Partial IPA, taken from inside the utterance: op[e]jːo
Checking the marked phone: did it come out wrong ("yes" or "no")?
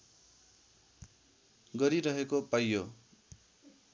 yes